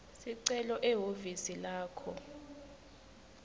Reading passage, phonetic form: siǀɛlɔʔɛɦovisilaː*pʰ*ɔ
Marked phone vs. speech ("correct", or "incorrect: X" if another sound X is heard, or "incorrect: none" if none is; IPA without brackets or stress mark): incorrect: kʰ